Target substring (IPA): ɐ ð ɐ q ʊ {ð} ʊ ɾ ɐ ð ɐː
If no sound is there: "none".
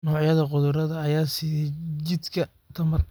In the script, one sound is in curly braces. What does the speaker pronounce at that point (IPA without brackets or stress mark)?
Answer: ð